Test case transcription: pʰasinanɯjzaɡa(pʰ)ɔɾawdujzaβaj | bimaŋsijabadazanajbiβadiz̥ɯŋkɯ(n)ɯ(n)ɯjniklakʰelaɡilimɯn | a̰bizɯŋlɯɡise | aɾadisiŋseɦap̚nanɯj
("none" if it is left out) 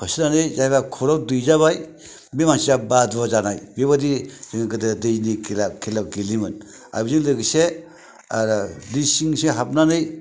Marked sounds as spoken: kʰ, d, d

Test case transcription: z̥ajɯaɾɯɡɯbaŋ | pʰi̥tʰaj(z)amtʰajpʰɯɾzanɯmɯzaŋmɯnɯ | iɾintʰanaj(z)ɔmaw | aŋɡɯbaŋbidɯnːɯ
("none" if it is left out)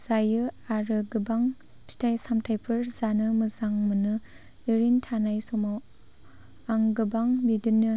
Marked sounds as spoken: s, s

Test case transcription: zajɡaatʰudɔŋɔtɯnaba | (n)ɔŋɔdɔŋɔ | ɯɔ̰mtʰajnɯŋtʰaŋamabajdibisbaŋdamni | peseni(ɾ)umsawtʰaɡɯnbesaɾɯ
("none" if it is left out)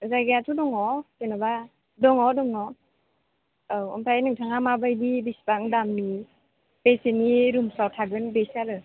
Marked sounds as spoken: d, ɾ

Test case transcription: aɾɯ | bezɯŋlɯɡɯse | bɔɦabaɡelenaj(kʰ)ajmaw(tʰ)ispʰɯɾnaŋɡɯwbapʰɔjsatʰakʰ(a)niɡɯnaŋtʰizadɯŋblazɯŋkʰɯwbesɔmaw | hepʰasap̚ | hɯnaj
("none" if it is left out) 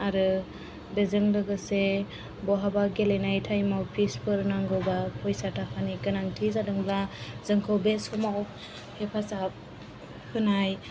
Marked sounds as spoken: tʰ, pʰ, a

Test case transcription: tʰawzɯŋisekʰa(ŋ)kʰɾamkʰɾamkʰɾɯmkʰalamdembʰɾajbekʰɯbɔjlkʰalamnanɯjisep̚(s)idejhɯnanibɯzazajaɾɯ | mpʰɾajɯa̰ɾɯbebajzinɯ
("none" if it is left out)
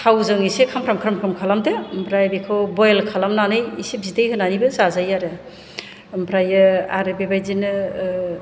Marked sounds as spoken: m, z

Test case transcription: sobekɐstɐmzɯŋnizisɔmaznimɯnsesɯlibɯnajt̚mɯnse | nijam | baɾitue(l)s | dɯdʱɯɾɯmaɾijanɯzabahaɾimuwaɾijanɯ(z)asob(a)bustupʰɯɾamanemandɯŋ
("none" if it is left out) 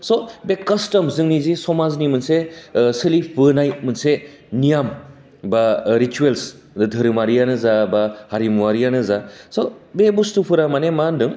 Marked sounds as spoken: l, z, e

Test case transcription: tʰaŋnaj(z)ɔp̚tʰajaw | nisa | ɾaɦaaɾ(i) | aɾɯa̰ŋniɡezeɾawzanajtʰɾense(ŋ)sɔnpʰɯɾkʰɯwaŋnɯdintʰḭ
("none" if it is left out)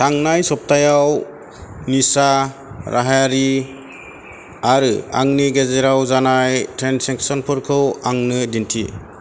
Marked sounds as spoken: s, i, ŋ

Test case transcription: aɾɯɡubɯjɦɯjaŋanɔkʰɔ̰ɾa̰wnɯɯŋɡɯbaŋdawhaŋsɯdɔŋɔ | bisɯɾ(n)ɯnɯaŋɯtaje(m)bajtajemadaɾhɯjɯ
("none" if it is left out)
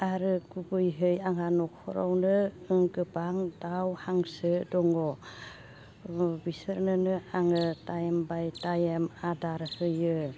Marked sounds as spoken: n, m

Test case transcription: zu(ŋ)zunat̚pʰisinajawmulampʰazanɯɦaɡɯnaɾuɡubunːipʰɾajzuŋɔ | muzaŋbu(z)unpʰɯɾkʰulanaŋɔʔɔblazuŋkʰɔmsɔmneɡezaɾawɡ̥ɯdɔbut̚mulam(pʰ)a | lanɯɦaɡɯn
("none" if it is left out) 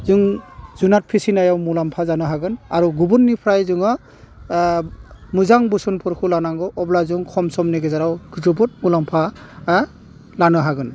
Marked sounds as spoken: ŋ, s, pʰ

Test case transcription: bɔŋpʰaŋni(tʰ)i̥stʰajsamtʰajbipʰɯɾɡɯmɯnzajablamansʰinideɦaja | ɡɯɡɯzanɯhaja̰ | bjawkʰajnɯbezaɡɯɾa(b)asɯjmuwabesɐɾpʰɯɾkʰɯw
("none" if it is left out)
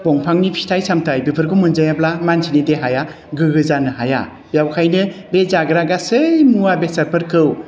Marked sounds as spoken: pʰ, ɡ

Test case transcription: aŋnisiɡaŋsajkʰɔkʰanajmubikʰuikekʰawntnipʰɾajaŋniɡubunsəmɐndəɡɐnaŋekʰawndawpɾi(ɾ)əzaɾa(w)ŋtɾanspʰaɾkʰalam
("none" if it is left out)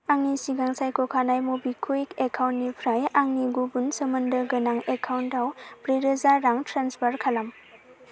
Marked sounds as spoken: ɾ, none

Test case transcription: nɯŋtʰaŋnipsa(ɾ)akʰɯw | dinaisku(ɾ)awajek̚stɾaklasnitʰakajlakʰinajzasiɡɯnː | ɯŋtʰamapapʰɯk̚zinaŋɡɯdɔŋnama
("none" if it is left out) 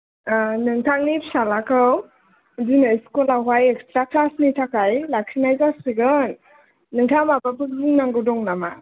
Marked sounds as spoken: l, l

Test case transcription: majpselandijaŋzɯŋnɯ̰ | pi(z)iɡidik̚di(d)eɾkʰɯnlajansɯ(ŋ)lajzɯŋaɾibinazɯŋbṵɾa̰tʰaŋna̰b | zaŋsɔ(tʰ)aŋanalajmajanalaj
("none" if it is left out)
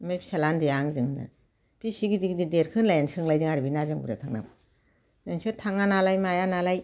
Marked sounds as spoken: s, d, ŋ, tʰ

